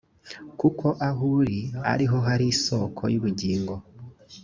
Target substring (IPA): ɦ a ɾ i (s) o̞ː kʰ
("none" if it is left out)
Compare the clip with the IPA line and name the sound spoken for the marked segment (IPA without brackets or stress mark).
s